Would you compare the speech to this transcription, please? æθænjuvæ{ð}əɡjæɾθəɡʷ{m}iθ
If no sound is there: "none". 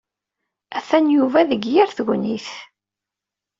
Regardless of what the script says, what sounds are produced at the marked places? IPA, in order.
ð, n

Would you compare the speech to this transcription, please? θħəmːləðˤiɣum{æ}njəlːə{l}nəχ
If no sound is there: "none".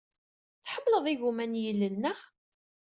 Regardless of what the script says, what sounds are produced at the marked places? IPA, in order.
æ, l

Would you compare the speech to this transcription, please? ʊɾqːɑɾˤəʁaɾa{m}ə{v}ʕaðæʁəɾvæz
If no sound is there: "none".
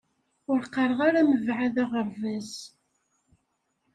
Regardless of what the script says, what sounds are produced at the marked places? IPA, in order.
m, v

